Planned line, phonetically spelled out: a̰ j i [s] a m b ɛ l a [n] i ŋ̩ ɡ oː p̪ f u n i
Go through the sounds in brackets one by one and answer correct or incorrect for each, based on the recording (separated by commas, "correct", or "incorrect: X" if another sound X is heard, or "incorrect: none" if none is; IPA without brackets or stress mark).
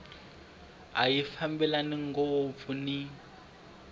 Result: incorrect: f, correct